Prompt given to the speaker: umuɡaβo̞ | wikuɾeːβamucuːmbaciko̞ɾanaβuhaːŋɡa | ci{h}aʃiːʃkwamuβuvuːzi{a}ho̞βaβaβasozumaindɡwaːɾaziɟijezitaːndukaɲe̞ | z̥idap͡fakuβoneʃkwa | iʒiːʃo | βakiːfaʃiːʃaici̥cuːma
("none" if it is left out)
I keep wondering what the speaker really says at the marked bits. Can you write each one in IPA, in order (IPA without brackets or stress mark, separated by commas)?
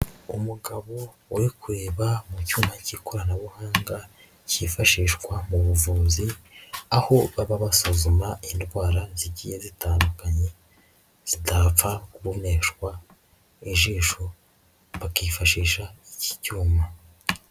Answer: f, a